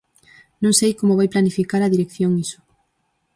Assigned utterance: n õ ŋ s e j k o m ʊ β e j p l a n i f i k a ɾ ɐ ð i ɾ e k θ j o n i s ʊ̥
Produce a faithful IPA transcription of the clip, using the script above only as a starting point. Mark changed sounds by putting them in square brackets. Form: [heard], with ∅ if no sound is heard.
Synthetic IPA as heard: n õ ŋ s e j k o m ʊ β [a] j p l a n i f i k a ɾ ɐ ð i ɾ e k θ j o [ŋ] i s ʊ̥